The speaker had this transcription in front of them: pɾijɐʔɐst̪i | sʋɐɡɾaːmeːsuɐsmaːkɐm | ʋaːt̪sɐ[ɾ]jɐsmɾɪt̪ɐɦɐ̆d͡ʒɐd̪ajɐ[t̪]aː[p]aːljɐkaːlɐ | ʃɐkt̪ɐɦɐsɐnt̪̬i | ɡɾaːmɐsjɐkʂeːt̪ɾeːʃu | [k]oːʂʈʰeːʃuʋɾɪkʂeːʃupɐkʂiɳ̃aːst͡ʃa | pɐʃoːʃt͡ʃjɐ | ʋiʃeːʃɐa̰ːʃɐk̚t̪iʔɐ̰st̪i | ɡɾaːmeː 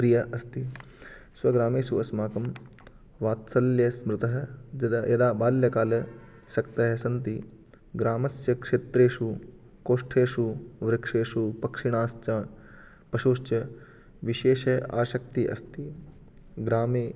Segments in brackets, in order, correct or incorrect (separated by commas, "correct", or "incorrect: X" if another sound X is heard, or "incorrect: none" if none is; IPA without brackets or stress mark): incorrect: l, incorrect: d̪, incorrect: b, correct